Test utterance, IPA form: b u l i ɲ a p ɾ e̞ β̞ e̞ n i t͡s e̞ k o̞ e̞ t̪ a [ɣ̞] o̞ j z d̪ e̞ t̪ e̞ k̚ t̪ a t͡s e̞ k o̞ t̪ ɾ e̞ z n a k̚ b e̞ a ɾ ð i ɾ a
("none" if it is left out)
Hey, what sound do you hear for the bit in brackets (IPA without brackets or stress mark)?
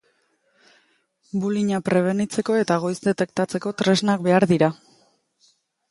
ɣ̞